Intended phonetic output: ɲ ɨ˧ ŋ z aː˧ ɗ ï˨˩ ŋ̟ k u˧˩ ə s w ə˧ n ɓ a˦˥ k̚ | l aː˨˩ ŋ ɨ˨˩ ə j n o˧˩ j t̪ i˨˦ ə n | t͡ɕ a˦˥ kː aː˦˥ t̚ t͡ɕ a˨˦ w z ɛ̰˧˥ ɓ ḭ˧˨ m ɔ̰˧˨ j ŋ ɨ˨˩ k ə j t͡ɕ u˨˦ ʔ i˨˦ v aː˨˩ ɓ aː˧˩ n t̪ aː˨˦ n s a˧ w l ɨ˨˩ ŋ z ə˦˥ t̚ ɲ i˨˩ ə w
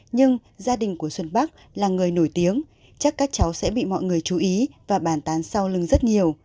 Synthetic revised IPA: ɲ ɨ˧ ŋ z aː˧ ɗ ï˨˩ ŋ̟ k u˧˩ ə s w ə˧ n ɓ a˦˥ k̚ | l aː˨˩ ŋ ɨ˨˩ ə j n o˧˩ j t̪ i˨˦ ə ŋ | t͡ɕ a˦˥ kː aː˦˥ k̚ t͡ɕ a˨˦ w s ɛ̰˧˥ ɓ ḭ˧˨ m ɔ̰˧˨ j ŋ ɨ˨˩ ə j t͡ɕ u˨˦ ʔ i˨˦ v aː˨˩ ɓ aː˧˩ n t̪ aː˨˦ n s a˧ w l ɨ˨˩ ŋ z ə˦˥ t̚ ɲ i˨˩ ə w